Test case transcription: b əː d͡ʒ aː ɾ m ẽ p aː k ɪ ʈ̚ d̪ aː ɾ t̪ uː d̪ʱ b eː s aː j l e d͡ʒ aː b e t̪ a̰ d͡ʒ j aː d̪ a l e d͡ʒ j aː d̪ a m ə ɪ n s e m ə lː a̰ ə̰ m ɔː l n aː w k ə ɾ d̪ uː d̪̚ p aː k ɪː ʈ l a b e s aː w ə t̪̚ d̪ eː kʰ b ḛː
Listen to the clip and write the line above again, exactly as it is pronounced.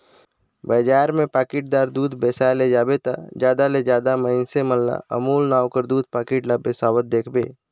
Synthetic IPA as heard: b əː d͡ʒ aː ɾ m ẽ p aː k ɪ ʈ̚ d̪ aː ɾ d̪ uː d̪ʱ b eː s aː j l e d͡ʒ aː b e t̪ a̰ d͡ʒ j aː d̪ a l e d͡ʒ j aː d̪ a m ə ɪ n s e m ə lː a̰ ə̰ m uː l n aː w k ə ɾ d̪ uː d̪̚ p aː k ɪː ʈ l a b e s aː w ə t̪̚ d̪ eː kʰ b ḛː